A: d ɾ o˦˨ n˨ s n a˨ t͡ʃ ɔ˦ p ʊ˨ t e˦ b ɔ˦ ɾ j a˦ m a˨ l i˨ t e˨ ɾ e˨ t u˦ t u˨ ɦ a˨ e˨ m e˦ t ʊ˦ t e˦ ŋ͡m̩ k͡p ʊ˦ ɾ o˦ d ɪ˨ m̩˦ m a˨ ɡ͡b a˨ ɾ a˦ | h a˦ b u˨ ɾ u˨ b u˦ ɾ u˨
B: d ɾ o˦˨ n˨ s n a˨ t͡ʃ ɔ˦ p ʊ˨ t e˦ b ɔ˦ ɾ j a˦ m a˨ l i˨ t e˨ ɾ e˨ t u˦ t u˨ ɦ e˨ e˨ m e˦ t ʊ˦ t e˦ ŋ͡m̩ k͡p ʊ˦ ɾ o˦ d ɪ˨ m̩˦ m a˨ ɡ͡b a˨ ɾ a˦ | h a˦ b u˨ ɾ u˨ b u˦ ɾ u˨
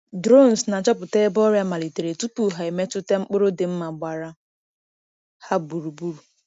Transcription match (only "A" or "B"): A